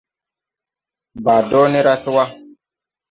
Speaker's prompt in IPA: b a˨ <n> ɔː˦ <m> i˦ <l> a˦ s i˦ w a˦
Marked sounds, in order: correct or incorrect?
incorrect: d, incorrect: n, incorrect: ɾ

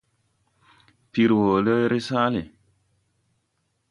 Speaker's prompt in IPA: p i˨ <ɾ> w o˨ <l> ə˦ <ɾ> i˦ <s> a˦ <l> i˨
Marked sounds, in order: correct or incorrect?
correct, correct, correct, correct, correct

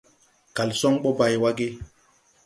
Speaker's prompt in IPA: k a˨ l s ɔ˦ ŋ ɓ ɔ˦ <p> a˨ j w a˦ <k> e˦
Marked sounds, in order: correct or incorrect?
incorrect: b, incorrect: ɡ

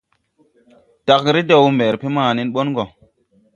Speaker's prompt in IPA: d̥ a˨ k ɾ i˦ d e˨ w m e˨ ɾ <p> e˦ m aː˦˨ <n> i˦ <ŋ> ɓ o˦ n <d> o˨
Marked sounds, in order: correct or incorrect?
correct, correct, incorrect: n, incorrect: ɡ

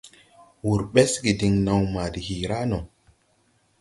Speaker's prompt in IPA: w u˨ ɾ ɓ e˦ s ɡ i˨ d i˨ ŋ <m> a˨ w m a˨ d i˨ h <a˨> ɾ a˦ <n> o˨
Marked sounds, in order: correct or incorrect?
incorrect: n, incorrect: i˨, correct

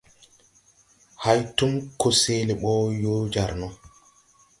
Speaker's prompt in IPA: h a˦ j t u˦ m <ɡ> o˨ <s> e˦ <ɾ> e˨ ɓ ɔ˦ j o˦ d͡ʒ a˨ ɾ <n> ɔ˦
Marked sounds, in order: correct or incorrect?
incorrect: k, correct, incorrect: l, correct

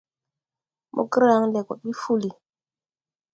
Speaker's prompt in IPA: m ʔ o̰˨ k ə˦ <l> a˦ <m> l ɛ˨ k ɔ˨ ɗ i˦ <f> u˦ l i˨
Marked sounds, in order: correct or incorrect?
incorrect: ɾ, incorrect: ŋ, correct

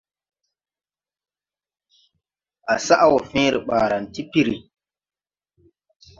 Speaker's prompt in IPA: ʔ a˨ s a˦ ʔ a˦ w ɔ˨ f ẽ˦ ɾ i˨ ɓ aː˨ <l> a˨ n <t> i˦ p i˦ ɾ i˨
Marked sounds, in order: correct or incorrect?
incorrect: ɾ, correct

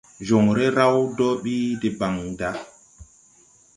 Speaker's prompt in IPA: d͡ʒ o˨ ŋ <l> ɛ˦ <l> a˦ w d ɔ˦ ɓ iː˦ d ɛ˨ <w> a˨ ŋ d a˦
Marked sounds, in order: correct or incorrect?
incorrect: ɾ, incorrect: ɾ, incorrect: b

